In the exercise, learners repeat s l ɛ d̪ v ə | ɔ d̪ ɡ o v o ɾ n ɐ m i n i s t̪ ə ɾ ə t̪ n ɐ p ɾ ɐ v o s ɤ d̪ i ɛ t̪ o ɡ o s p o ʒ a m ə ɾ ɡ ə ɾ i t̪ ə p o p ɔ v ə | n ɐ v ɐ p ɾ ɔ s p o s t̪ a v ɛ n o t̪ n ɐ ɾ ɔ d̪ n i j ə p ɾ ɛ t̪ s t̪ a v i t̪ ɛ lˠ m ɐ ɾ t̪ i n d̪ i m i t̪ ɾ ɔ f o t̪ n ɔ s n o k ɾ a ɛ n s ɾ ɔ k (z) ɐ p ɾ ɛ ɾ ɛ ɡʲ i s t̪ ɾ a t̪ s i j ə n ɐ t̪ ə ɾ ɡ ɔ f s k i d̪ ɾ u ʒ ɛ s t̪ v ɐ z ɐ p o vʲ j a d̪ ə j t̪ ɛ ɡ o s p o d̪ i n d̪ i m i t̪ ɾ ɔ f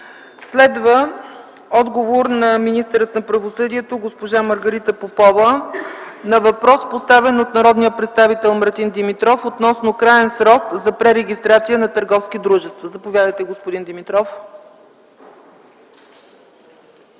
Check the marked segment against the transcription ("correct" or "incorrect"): correct